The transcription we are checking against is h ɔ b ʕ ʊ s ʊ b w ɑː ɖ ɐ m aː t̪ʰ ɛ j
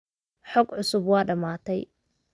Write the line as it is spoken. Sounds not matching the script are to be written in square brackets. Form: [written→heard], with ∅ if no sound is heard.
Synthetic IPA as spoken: [h→ħ] ɔ [b→ɡ] ʕ ʊ s ʊ b w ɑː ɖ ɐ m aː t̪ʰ ɛ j